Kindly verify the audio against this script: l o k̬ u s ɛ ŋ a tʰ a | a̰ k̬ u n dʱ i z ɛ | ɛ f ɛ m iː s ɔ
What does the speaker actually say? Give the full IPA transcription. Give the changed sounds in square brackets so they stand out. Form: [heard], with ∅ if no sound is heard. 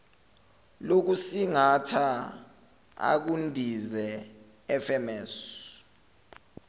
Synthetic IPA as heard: l o k̬ u s [i] ŋ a tʰ a | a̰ k̬ u n dʱ i z ɛ | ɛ f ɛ m [ɛː] s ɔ